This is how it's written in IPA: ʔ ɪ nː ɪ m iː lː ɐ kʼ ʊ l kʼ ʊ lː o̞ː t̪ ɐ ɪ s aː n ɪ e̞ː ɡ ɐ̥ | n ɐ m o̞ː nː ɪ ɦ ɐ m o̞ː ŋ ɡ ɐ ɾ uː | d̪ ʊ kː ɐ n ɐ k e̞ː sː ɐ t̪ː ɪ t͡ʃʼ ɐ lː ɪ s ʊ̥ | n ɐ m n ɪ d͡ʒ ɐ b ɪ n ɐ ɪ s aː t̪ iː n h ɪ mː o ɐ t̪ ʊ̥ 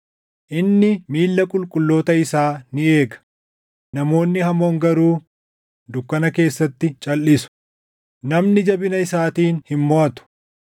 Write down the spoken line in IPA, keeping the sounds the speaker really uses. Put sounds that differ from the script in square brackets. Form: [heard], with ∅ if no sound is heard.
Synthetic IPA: ʔ ɪ nː ɪ m iː lː ɐ kʼ ʊ l kʼ ʊ lː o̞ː t̪ ɐ ɪ s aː n ɪ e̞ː ɡ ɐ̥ | n ɐ m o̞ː nː ɪ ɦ ɐ m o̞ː ŋ ɡ ɐ ɾ uː | d̪ ʊ kː ɐ n ɐ k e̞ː sː ɐ t̪ː ɪ t͡ʃʼ ɐ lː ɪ s ʊ̥ | n ɐ m n ɪ d͡ʒ ɐ b ɪ n ɐ ɪ s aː t̪ iː n h ɪ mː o ɐ t̪ ʊ̥

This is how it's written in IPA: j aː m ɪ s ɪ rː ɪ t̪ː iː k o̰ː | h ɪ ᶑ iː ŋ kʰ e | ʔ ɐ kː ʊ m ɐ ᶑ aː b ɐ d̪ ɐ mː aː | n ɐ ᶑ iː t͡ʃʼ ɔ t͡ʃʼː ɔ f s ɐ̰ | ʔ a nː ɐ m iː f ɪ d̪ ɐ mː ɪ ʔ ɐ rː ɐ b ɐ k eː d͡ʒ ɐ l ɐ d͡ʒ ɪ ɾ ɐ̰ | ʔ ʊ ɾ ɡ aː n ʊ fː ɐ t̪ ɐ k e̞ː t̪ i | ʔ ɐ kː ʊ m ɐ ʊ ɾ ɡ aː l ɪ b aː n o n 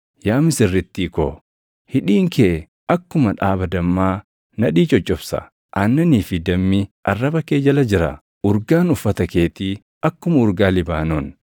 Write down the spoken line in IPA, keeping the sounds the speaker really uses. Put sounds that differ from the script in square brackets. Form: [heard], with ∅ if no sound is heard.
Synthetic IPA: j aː m ɪ s ɪ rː ɪ t̪ː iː k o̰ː | h ɪ ᶑ iː ŋ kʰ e | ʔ ɐ kː ʊ m ɐ ᶑ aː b ɐ d̪ ɐ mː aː | n ɐ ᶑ iː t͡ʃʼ ɔ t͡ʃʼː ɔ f s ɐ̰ | ʔ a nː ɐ [n] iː f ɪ d̪ ɐ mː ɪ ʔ ɐ rː ɐ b ɐ k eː d͡ʒ ɐ l ɐ d͡ʒ ɪ ɾ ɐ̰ | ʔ ʊ ɾ ɡ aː n ʊ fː ɐ t̪ ɐ k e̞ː t̪ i | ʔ ɐ kː ʊ m ɐ ʊ ɾ ɡ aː l ɪ b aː n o n

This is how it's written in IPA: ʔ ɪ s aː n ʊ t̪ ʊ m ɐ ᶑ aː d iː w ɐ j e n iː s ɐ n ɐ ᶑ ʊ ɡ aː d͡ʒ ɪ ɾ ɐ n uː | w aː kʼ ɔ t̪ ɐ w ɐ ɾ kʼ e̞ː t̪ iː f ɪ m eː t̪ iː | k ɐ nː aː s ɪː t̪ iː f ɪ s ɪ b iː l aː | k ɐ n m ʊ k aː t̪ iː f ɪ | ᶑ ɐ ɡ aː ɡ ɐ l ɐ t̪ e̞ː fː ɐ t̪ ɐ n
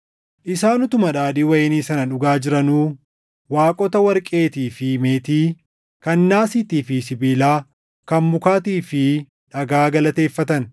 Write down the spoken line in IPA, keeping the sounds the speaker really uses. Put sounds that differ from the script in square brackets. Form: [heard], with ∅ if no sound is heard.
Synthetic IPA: ʔ ɪ s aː n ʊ t̪ ʊ m ɐ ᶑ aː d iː w ɐ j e n iː s ɐ n ɐ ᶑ ʊ ɡ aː d͡ʒ ɪ ɾ ɐ n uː | w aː kʼ ɔ t̪ ɐ w ɐ ɾ kʼ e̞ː t̪ iː f ɪ m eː t̪ iː | k ɐ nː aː s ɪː t̪ iː f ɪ s ɪ b iː l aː | k ɐ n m ʊ k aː t̪ iː f ɪ | ᶑ ɐ ɡ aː ɡ ɐ l ɐ t̪ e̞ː fː ɐ t̪ ɐ n

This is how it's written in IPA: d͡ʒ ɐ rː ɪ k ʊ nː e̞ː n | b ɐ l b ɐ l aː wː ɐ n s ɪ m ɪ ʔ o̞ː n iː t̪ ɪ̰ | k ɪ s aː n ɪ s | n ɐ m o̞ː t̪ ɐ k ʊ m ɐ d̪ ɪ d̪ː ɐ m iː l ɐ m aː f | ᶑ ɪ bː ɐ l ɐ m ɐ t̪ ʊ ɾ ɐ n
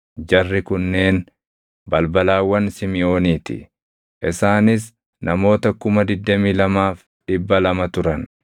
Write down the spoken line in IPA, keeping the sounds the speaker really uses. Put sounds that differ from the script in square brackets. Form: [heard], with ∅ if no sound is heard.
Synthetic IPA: d͡ʒ ɐ rː ɪ k ʊ nː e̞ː n | b ɐ l b ɐ l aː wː ɐ n s ɪ m ɪ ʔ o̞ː n iː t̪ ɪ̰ | [ʔ] ɪ s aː n ɪ s | n ɐ m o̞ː t̪ ɐ k ʊ m ɐ d̪ ɪ d̪ː ɐ m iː l ɐ m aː f | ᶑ ɪ bː ɐ l ɐ m ɐ t̪ ʊ ɾ ɐ n

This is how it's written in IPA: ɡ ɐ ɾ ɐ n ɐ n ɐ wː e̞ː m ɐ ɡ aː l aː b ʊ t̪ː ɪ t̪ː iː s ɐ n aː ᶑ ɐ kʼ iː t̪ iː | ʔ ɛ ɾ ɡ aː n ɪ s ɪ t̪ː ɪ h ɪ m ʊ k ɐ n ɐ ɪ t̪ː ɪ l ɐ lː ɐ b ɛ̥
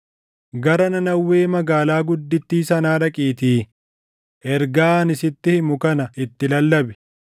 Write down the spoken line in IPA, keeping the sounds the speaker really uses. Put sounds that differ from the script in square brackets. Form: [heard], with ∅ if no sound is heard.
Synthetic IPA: ɡ ɐ ɾ ɐ n ɐ n ɐ wː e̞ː m ɐ ɡ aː l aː [ɡ] ʊ [d̪ː] ɪ t̪ː iː s ɐ n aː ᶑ ɐ kʼ iː t̪ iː | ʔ ɛ ɾ ɡ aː n ɪ s ɪ t̪ː ɪ h ɪ m ʊ k ɐ n ɐ ɪ t̪ː ɪ l ɐ lː ɐ b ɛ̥

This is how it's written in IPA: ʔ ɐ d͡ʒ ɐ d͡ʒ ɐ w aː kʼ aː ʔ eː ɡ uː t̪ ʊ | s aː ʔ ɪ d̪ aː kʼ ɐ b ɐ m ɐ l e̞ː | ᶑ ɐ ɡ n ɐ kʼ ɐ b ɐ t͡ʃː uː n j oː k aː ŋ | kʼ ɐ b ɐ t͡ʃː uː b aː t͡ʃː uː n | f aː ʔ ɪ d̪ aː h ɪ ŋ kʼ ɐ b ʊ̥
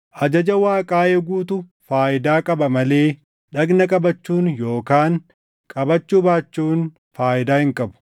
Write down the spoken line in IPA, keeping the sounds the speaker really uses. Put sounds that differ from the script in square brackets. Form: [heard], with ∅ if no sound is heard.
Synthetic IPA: ʔ ɐ d͡ʒ ɐ d͡ʒ ɐ w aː kʼ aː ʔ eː ɡ uː t̪ ʊ | [f] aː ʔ ɪ d̪ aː kʼ ɐ b ɐ m ɐ l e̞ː | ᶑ ɐ ɡ n ɐ kʼ ɐ b ɐ t͡ʃː uː n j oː k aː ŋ | kʼ ɐ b ɐ t͡ʃː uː b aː t͡ʃː uː n | f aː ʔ ɪ d̪ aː h ɪ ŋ kʼ ɐ b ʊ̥

